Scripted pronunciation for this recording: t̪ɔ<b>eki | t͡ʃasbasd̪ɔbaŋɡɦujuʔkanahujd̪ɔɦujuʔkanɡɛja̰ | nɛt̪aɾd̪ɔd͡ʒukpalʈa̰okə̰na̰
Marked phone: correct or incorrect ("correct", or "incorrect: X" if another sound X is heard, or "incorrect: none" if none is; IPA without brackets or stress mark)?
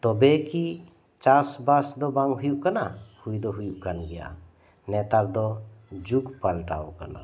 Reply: correct